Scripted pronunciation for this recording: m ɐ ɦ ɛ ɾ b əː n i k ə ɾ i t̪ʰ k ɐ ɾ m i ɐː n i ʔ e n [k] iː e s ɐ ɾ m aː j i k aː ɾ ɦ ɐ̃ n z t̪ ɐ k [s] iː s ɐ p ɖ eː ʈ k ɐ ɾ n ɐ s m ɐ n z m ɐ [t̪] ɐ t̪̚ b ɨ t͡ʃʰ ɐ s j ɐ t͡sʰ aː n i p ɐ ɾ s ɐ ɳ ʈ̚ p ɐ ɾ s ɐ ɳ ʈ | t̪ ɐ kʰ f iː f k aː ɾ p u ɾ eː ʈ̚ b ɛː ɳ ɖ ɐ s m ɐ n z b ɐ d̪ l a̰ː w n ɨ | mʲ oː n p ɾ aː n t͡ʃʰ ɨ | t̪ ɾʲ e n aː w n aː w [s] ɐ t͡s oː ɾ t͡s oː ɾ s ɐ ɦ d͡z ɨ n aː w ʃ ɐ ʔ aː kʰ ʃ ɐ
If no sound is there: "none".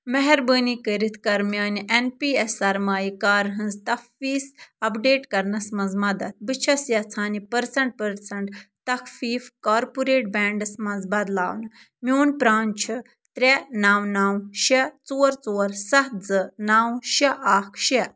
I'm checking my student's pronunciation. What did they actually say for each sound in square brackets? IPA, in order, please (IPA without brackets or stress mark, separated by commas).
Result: p, f, d̪, ʃ